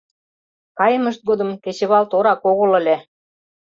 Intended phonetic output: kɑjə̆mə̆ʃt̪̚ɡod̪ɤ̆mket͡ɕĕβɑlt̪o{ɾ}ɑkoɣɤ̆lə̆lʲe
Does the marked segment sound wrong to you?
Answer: no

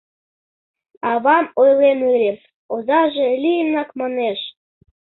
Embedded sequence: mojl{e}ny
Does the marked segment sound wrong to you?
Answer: no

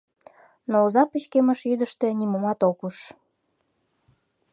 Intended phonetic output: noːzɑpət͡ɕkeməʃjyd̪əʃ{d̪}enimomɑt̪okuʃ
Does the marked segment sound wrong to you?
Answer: yes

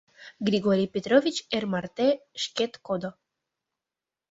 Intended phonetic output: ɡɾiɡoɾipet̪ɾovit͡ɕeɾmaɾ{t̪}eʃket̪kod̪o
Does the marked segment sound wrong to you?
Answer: no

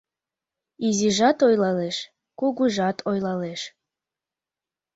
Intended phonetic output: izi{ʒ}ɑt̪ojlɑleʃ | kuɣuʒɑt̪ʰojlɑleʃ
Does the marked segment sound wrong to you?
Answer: no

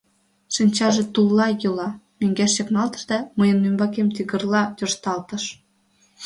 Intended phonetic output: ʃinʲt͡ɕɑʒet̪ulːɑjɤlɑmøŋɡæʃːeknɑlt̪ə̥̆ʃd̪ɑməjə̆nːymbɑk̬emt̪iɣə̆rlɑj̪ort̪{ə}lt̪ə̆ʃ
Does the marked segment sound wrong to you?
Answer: yes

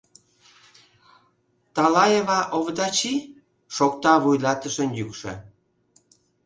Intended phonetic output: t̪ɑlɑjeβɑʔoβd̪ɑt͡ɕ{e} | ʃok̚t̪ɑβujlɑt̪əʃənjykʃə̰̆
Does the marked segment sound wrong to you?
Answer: yes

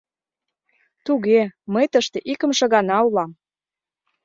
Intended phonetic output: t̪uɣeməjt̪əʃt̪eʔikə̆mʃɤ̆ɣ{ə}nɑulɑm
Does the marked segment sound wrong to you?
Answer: yes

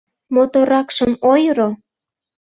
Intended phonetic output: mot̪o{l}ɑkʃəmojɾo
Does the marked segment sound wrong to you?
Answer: yes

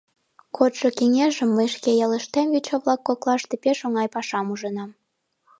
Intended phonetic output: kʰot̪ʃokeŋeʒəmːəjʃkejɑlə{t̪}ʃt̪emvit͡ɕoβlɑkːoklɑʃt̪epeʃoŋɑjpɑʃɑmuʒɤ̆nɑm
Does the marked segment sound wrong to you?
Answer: yes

